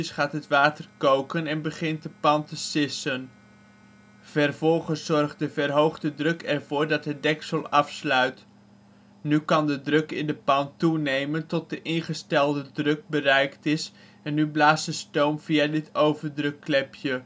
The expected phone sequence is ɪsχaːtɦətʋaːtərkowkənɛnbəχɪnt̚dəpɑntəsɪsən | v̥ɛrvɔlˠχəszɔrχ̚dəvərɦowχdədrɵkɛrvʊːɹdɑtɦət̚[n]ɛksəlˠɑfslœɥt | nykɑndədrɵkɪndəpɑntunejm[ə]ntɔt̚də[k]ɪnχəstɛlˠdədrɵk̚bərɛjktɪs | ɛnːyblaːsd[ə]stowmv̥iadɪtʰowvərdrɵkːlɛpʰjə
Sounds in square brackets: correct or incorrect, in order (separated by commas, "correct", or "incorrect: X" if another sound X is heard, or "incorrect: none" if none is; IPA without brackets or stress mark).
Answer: incorrect: d, correct, incorrect: ʔ, correct